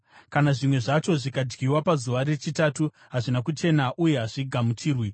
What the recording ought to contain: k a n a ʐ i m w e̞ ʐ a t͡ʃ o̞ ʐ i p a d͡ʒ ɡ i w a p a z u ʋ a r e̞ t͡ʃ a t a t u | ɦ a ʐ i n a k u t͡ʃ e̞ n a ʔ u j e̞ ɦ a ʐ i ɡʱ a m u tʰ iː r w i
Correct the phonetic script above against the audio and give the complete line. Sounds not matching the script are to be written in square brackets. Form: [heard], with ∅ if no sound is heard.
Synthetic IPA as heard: k a n a ʐ i m w e̞ ʐ a t͡ʃ o̞ ʐ i [k] a d͡ʒ ɡ i w a p a z u ʋ a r e̞ t͡ʃ [i] t a t u | ɦ a ʐ i n a k u t͡ʃ e̞ n a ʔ u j e̞ ɦ a ʐ i ɡʱ a m u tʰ iː r w i